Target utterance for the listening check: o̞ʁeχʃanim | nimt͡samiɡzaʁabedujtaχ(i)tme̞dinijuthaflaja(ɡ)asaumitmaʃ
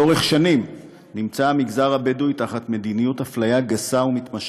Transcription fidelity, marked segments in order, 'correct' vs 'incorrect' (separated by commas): incorrect, correct